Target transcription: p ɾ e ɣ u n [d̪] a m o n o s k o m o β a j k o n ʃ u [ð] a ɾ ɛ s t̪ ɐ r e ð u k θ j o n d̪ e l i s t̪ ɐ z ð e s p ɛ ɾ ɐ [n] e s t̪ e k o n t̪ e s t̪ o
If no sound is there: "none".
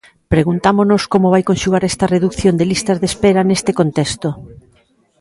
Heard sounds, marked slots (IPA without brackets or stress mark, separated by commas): t̪, ɣ, n